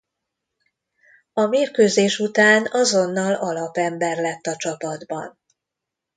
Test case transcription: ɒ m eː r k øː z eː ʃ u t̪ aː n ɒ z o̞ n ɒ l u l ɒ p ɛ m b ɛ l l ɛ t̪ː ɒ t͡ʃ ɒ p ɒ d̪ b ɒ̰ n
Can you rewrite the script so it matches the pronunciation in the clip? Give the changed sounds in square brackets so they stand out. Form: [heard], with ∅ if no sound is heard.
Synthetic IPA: ɒ m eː r k øː z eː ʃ u t̪ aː n ɒ z o̞ [nː] ɒ l [ɒ] l ɒ p ɛ m b ɛ [r] l ɛ t̪ː ɒ t͡ʃ ɒ p ɒ d̪ b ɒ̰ n